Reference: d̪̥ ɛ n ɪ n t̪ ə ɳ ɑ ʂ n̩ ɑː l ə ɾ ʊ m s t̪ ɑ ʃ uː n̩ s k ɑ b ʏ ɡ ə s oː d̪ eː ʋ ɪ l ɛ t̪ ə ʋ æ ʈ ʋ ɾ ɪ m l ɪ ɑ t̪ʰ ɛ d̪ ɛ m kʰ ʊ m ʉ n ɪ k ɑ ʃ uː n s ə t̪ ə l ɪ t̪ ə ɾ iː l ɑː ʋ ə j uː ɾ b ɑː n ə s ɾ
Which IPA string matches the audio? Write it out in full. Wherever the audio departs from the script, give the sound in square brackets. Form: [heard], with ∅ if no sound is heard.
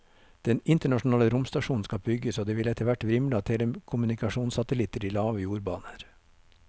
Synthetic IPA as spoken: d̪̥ ɛ n ɪ n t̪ ə ɳ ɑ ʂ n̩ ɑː l ə ɾ ʊ m s t̪ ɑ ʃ uː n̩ s k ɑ b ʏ ɡ ə s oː d̪ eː ʋ ɪ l ɛ t̪ ə ʋ æ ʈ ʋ ɾ ɪ m l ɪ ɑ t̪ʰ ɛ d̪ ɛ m kʰ ʊ m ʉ n ɪ k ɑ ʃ uː n s [ɑ] t̪ ə l ɪ t̪ ə ɾ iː l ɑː ʋ ə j uː ɾ b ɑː n ə [∅] ɾ